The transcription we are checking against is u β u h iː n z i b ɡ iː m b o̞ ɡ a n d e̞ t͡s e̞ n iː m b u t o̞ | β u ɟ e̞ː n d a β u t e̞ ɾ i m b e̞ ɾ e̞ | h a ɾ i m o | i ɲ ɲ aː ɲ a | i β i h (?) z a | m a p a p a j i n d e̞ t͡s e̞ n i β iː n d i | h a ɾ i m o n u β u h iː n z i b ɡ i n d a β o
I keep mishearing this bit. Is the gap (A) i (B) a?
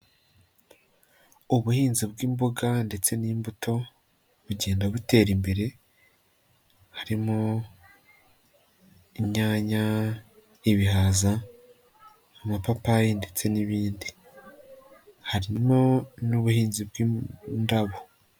B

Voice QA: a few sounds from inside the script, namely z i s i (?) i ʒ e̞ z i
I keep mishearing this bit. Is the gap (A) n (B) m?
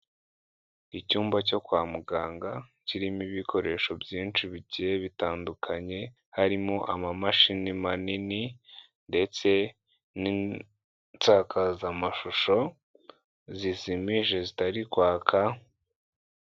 B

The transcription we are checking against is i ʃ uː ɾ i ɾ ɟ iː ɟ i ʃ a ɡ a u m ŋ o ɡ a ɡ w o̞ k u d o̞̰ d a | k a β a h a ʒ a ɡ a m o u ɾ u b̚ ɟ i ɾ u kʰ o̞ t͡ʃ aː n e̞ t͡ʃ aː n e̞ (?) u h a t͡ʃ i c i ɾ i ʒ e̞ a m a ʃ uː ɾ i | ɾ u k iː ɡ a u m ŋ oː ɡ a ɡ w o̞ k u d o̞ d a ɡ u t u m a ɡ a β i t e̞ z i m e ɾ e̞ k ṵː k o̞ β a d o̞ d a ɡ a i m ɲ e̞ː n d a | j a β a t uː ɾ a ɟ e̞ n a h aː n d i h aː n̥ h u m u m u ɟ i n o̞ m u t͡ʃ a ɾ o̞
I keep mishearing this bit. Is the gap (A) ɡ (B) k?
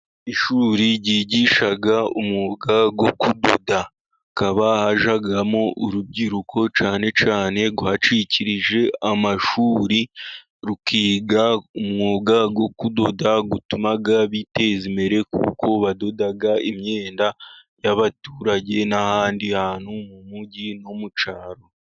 A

